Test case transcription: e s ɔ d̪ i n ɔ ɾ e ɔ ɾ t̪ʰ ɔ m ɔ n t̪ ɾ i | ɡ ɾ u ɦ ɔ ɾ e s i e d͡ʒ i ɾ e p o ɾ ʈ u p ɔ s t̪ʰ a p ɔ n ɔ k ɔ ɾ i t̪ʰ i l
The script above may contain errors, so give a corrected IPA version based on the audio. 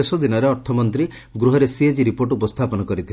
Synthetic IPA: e s ɔ d̪ i n ɔ ɾ e ɔ ɾ t̪ʰ ɔ m ɔ n t̪ ɾ i | ɡ ɾ u ɦ ɔ ɾ e s i e d͡ʒ i ɾ i p o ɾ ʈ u p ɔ s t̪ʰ a p ɔ n ɔ k ɔ ɾ i t̪ʰ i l